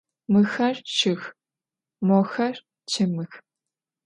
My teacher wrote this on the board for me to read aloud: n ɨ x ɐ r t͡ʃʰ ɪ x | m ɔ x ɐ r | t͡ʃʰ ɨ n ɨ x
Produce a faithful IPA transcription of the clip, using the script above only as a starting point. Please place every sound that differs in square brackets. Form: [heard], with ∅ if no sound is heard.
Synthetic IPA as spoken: [m] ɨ x ɐ r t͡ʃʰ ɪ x | m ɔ x ɐ r | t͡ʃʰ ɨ [m] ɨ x